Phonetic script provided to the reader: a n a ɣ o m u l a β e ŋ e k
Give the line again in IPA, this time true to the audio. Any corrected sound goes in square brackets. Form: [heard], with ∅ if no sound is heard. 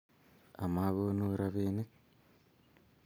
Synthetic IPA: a [m] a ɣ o [n] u [ɾ] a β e [n] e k